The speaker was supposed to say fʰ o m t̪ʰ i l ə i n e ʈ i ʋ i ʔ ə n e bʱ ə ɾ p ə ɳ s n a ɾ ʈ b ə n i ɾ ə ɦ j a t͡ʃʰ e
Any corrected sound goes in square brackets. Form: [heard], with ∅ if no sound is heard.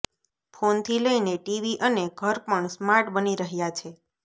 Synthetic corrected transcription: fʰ o [n] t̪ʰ i l ə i n e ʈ i ʋ i ʔ ə n e [ɡʱ] ə ɾ p ə ɳ s [m] a ɾ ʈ b ə n i ɾ ə ɦ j a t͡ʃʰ e